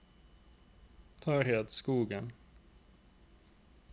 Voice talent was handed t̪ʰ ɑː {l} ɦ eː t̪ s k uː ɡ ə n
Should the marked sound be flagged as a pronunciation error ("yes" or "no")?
yes